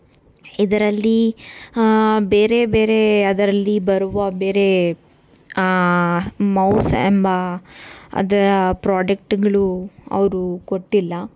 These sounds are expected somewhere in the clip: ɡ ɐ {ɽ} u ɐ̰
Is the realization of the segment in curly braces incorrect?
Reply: yes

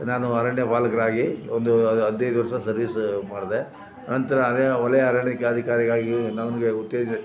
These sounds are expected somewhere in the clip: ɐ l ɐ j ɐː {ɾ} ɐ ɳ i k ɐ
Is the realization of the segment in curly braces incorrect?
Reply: no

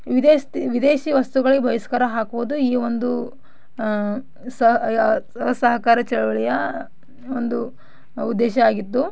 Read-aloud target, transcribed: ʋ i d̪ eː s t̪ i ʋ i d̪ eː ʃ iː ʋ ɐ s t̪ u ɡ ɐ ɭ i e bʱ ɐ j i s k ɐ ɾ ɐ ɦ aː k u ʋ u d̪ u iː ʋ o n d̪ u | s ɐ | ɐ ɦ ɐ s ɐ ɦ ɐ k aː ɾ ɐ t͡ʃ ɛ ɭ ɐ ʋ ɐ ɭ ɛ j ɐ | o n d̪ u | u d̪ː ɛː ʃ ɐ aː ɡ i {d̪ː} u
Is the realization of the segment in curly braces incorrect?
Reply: yes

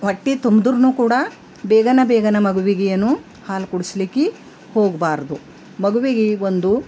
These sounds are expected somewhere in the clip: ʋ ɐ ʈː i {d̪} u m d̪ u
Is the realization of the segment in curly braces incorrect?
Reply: yes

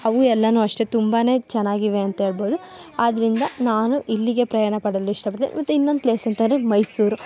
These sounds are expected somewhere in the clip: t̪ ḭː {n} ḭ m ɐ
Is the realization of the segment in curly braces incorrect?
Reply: no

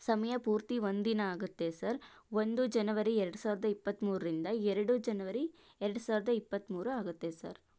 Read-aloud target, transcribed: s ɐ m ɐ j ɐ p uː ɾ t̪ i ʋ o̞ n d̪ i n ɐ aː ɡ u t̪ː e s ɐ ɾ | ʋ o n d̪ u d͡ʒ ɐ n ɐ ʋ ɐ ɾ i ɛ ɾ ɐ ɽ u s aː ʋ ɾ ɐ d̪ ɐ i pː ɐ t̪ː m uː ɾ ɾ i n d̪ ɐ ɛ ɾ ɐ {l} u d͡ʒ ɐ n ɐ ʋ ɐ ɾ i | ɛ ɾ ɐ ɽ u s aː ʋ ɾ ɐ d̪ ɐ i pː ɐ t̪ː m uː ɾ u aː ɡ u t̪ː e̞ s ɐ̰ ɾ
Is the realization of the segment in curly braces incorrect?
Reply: yes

